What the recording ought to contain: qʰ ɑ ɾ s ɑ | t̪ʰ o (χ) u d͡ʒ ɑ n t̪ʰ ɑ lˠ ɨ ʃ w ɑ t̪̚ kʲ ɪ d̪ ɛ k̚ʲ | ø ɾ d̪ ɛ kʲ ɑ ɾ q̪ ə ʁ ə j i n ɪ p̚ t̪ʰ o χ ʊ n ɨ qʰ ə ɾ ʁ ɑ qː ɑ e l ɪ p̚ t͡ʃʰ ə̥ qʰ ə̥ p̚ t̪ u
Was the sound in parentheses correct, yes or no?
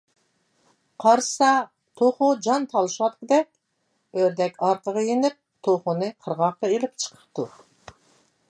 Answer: yes